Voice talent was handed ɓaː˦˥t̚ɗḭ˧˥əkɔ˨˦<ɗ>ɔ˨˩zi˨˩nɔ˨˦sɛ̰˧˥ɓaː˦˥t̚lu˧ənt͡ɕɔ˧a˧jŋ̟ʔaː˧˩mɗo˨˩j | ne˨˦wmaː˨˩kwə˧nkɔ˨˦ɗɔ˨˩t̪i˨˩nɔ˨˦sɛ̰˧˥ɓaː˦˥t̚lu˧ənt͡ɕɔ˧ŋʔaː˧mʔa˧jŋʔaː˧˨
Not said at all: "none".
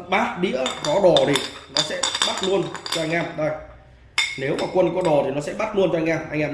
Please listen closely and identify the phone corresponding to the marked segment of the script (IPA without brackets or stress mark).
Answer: ɗ